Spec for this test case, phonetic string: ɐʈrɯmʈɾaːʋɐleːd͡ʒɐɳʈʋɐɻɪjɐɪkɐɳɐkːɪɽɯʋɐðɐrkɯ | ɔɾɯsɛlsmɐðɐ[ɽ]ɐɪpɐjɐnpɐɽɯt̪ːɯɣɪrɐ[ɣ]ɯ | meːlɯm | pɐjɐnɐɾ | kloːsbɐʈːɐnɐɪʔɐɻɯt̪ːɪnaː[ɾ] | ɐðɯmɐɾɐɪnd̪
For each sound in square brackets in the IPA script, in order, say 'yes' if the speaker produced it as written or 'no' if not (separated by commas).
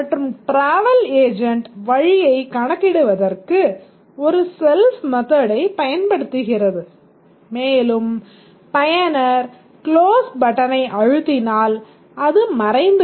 yes, no, no